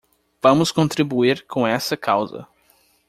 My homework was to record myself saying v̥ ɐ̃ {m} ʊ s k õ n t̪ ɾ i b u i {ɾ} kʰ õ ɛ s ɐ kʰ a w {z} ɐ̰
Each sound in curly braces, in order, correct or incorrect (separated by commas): correct, correct, correct